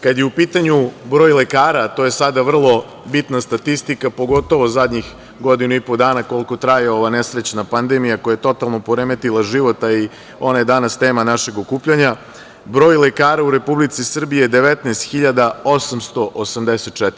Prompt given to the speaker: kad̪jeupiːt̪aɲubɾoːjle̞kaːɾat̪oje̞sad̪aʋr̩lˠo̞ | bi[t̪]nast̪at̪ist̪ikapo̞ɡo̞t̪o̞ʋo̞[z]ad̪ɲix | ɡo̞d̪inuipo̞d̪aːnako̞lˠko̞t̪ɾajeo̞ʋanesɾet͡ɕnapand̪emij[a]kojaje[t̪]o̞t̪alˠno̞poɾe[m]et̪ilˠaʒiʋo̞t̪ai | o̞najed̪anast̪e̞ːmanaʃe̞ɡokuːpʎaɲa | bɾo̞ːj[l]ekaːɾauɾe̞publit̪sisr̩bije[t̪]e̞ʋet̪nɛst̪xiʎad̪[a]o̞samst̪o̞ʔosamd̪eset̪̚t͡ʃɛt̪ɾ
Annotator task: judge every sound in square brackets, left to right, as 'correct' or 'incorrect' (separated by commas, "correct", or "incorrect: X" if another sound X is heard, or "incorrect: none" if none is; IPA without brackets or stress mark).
correct, correct, correct, correct, correct, correct, incorrect: d̪, correct